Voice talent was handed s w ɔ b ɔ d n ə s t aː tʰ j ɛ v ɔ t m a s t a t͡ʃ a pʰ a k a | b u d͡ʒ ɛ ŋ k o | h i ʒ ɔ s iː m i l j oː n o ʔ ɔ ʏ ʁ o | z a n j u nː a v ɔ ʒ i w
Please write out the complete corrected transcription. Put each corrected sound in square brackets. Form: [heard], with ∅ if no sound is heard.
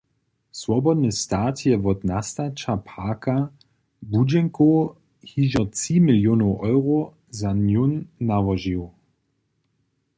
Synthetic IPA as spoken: s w ɔ b ɔ d n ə s t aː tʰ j ɛ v ɔ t [n] a s t a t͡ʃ a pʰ a k a | b u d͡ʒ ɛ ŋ k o | h i ʒ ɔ [t͡s] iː m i l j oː n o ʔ ɔ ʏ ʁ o | z a n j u nː a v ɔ ʒ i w